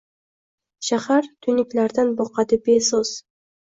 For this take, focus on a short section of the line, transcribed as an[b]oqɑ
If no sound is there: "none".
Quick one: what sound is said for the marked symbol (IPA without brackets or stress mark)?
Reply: b